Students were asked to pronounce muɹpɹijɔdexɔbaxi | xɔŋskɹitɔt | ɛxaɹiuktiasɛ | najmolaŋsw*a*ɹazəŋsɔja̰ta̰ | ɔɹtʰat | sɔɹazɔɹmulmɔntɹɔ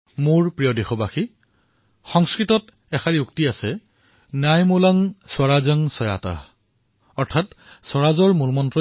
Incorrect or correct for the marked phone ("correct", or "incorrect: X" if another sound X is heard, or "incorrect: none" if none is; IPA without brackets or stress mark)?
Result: correct